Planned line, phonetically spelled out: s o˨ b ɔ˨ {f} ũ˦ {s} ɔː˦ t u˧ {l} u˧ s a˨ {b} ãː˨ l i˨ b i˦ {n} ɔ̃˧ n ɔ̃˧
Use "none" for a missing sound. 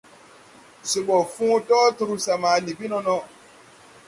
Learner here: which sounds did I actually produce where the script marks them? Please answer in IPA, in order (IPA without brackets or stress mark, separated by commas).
f, t, ɾ, m, n